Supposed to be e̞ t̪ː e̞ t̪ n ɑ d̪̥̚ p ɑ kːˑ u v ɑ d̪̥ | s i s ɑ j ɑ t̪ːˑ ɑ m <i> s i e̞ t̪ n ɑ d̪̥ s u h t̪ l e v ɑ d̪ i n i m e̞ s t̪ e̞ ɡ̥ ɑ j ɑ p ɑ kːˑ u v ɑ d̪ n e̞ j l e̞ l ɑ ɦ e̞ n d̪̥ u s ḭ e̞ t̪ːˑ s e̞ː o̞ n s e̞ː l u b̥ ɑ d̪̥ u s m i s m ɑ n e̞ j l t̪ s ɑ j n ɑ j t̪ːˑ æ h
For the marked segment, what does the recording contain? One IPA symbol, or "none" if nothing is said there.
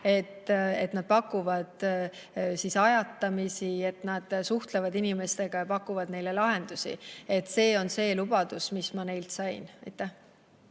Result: i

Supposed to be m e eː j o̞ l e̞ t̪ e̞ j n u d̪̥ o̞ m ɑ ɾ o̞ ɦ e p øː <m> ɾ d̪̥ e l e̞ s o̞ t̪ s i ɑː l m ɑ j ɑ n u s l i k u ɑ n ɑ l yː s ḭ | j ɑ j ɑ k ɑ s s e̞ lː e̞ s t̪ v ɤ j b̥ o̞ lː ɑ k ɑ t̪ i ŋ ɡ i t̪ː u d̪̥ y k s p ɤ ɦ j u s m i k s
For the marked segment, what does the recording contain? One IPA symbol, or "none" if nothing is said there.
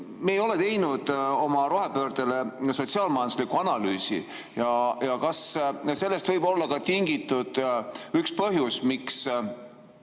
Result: none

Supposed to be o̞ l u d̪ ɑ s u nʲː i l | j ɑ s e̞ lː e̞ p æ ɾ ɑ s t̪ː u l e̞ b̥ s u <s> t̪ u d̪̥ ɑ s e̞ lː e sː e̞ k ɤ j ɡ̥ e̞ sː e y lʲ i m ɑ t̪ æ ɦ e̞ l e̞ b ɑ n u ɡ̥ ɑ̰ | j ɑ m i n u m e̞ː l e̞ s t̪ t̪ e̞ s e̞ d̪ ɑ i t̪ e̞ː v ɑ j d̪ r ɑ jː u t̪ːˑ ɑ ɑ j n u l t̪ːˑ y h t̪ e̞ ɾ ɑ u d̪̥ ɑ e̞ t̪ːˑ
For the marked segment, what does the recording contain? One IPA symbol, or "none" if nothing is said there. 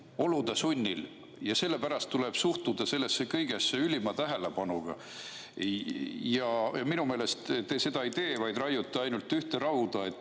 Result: h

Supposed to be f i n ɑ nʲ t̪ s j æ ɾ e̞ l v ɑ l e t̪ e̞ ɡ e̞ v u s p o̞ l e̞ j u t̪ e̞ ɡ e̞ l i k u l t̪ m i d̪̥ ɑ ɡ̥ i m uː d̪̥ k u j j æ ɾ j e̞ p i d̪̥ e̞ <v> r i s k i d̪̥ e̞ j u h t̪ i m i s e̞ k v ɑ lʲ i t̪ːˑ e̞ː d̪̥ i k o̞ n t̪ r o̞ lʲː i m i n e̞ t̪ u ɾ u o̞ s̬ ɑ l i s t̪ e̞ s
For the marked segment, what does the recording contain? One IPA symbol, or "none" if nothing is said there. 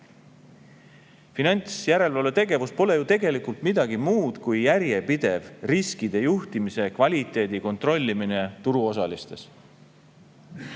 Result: v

